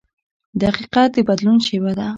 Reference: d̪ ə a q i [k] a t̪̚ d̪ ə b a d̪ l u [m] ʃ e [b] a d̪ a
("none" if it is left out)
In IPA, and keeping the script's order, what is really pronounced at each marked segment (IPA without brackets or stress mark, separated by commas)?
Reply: q, n, w